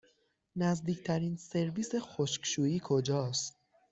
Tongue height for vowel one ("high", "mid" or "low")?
low